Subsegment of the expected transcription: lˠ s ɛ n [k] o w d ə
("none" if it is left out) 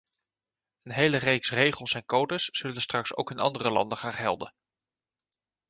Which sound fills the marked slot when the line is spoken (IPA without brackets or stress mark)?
k